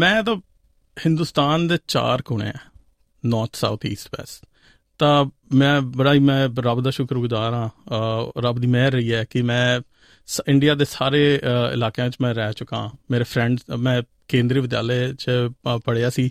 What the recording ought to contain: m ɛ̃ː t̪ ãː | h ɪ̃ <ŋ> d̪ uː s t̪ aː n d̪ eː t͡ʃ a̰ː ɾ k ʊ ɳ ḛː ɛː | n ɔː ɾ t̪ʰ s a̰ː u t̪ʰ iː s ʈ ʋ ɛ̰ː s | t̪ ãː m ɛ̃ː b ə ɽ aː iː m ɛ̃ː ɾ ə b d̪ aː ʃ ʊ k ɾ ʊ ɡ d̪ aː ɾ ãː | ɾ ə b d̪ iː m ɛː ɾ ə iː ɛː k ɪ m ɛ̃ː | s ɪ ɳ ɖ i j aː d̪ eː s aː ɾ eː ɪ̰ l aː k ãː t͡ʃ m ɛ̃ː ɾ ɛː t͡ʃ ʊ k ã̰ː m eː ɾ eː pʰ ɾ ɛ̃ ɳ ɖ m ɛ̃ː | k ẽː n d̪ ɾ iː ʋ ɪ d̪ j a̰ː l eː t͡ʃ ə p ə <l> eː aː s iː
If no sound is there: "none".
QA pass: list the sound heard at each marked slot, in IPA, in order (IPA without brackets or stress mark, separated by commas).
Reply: n, ɽ